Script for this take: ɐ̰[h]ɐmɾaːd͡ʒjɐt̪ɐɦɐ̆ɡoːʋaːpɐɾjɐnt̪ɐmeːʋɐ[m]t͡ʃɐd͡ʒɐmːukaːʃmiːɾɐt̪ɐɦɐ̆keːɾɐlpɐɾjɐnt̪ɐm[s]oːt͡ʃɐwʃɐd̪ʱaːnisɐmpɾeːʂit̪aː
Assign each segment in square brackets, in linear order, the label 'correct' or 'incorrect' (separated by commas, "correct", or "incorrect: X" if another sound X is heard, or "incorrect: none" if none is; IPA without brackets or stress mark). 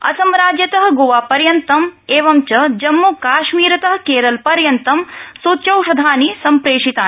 incorrect: s, correct, correct